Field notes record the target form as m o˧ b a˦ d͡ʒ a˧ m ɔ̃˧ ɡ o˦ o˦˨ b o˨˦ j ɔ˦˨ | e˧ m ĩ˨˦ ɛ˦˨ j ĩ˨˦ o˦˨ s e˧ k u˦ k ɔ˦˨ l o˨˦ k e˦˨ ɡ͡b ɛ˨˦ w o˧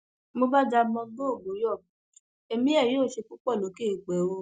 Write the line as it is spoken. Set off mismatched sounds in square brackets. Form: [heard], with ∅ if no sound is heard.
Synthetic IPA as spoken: m o˧ b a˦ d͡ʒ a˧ m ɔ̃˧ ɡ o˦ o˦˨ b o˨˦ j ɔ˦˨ | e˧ m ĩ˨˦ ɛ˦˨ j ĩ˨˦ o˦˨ [ʃ] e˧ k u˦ [k͡p] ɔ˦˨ l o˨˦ k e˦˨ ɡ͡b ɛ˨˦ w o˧

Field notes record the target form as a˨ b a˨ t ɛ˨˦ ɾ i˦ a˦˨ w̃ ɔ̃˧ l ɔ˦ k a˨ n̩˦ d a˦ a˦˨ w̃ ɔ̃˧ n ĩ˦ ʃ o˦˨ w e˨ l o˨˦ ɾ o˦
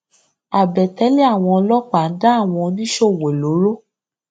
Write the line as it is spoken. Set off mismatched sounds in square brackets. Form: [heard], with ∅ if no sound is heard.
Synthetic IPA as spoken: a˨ b [ɛ˨] t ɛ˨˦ [l] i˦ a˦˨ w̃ ɔ̃˧ l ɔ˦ [k͡p] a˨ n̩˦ d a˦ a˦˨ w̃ ɔ̃˧ n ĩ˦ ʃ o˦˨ w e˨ l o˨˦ ɾ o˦

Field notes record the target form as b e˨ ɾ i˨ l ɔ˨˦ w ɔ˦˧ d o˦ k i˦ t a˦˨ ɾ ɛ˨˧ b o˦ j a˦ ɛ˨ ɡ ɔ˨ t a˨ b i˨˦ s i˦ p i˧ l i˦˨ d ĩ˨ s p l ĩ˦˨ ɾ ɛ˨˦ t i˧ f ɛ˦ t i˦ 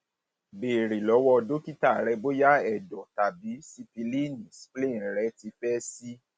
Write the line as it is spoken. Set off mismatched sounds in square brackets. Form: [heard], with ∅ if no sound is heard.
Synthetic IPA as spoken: b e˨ ɾ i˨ l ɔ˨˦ w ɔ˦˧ d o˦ k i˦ t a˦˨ ɾ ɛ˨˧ b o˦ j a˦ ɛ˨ [d] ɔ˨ t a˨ b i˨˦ s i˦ p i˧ l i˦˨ [n] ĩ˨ s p l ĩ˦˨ ɾ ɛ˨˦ t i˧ f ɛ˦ [s] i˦

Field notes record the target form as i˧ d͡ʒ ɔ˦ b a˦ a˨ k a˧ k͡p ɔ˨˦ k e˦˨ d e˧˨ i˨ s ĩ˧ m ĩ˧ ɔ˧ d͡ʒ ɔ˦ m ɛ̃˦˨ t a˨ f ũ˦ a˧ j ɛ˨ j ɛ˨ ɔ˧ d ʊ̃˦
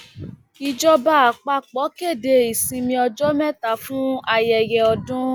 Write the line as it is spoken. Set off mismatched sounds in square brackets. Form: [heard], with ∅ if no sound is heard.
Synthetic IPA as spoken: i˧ d͡ʒ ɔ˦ b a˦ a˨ [k͡p] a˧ k͡p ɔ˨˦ k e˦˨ d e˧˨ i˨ s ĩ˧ m ĩ˧ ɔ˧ d͡ʒ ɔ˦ m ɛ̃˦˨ t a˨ f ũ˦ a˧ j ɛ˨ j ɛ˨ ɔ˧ d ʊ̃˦

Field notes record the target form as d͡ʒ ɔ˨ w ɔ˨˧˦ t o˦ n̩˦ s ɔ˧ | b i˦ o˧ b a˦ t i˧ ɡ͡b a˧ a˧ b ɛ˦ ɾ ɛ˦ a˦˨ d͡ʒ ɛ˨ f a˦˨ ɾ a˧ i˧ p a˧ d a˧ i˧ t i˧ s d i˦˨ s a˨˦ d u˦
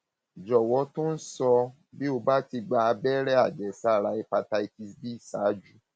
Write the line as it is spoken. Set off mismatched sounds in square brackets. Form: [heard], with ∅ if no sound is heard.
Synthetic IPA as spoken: d͡ʒ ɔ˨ w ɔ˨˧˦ t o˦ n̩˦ s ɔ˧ | b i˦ o˧ b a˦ t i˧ ɡ͡b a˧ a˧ b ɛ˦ ɾ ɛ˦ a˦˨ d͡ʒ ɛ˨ [s] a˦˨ ɾ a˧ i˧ p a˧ [t] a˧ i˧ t i˧ s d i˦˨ s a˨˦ [d͡ʒ] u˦

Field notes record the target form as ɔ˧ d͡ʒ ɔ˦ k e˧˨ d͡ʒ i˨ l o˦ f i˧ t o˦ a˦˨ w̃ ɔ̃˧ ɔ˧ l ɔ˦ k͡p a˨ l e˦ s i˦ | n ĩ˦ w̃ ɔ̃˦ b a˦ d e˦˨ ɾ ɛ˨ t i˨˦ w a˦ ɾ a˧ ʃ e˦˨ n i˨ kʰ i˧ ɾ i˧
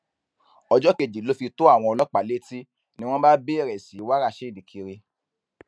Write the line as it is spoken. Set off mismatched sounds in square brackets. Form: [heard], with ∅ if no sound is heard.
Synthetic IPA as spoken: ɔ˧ d͡ʒ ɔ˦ k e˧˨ d͡ʒ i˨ l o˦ f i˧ t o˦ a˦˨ w̃ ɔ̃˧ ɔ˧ l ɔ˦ k͡p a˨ l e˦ [t] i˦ | n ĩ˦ w̃ ɔ̃˦ b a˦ [b] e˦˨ ɾ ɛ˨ [s] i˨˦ w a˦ ɾ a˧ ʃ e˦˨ [d] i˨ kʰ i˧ ɾ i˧

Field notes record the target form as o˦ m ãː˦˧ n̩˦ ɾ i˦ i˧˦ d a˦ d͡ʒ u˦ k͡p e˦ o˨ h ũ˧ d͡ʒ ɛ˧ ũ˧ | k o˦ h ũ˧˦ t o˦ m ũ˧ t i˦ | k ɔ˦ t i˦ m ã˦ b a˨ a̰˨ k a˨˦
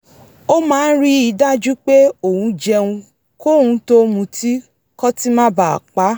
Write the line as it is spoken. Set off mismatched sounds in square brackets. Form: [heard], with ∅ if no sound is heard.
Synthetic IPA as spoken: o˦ m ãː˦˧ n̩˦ ɾ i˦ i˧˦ d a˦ d͡ʒ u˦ k͡p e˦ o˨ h ũ˧ d͡ʒ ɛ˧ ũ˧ | k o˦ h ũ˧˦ t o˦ m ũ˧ t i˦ | k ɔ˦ t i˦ m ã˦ b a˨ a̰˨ [k͡p] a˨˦

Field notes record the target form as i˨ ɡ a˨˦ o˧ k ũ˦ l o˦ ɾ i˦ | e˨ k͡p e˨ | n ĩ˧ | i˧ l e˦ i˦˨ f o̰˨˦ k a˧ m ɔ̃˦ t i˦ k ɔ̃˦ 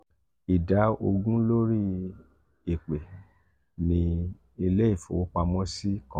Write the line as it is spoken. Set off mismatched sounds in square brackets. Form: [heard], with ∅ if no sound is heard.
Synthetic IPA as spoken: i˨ [d] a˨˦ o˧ [ɡ] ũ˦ l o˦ ɾ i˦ | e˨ k͡p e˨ | n ĩ˧ | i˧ l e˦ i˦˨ f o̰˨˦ [k͡p] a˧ m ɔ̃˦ [s] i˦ k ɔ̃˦

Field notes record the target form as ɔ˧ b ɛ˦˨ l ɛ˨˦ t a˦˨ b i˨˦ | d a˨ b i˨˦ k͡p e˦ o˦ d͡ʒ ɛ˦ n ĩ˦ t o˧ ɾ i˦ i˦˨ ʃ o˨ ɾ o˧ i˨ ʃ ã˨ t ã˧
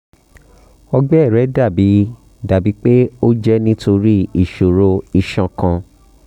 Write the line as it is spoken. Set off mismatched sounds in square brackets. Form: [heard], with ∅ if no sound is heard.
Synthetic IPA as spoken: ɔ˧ [ɡ͡b] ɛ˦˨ [ɾ] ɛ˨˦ [d] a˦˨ b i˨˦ | d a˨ b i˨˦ k͡p e˦ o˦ d͡ʒ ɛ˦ n ĩ˦ t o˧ ɾ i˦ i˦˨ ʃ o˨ ɾ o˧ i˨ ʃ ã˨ [k] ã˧

